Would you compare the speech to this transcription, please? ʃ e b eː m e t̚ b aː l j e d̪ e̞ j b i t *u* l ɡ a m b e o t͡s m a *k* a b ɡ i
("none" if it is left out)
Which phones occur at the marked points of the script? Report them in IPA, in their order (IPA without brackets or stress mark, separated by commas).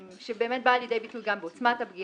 u, t